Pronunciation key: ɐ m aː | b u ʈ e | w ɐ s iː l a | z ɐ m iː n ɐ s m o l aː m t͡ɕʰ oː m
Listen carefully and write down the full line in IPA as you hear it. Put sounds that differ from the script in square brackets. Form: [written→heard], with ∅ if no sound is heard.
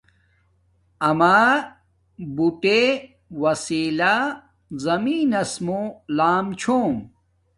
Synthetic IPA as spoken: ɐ m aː | b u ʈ e | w ɐ s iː l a | z ɐ m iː n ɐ s m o l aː m t͡ɕʰ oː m